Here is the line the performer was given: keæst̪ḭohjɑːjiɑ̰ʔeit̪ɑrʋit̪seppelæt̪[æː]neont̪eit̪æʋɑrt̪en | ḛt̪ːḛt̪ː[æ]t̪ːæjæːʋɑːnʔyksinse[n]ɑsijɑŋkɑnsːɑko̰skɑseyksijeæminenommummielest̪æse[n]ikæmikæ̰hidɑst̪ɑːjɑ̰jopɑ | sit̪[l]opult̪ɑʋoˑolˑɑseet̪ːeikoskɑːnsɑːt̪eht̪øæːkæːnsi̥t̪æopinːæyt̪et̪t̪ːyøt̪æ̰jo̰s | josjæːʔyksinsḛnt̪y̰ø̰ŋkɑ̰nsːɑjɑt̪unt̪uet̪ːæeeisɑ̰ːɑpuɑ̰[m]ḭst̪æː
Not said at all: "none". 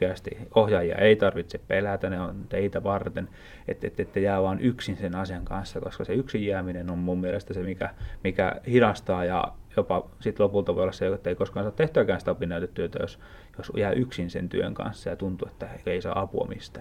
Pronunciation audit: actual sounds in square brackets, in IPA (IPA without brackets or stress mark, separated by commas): æ, e, n, m, l, m